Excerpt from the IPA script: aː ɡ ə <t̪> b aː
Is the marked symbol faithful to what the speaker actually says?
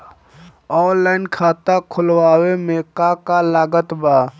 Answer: yes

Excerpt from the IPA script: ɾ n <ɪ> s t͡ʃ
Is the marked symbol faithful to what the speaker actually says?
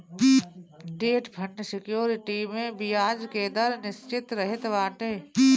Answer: yes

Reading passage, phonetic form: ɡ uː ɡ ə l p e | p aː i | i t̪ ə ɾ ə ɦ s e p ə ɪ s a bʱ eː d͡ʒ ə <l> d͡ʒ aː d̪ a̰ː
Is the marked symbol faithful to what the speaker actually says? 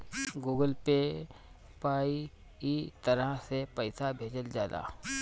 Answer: yes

